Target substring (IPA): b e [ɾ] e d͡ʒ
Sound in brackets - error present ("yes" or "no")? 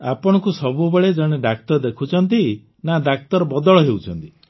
yes